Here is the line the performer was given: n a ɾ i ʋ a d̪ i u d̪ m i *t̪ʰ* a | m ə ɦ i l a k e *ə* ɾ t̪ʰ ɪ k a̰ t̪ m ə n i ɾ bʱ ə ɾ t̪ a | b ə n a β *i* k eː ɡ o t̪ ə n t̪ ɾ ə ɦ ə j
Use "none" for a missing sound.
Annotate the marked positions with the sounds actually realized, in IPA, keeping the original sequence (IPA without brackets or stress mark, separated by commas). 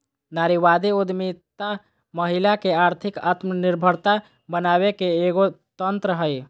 t̪, a, e